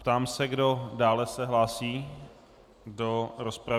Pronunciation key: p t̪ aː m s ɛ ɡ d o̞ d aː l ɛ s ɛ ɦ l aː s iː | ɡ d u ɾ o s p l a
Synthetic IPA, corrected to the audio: p t̪ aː m s ɛ ɡ d o̞ d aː l ɛ s ɛ ɦ l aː s iː | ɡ d o ɾ o s p ɾ a